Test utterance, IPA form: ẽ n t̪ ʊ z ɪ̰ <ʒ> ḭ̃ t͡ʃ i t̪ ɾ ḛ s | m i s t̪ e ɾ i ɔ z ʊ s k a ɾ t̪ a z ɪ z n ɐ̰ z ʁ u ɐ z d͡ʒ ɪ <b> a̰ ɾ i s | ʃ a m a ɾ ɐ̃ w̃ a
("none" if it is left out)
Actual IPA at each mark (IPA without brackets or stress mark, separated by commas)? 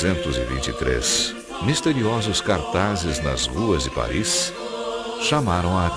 v, p